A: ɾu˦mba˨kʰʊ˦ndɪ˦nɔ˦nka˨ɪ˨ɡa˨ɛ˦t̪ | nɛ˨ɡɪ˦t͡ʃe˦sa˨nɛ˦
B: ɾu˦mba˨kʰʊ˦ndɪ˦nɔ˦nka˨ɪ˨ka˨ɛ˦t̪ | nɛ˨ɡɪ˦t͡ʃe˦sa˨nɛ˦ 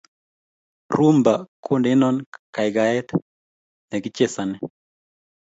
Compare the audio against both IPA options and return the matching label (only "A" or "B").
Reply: A